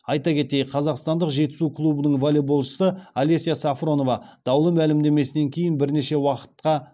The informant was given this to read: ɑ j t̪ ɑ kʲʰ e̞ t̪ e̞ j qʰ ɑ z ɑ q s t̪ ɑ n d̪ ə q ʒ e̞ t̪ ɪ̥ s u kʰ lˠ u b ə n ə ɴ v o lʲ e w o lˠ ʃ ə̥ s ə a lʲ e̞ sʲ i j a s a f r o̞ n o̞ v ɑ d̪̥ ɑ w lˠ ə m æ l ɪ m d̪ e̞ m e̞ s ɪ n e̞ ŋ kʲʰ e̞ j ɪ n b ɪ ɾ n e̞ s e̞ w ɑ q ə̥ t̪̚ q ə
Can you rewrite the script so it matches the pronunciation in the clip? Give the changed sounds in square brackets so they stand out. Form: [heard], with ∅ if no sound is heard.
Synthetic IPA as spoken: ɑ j t̪ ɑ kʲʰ e̞ t̪ e̞ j qʰ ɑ z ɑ q s t̪ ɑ n d̪ ə q ʒ e̞ t̪ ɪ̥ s u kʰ lˠ u b ə n ə ɴ v o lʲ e [b] o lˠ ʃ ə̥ s ə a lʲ e̞ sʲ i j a s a f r o̞ n o̞ v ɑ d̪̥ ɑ w lˠ ə m æ l ɪ m d̪ e̞ m e̞ s ɪ n e̞ ŋ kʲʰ e̞ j ɪ n b ɪ ɾ n e̞ [ʃ] e̞ w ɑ q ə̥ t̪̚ q [ɑ]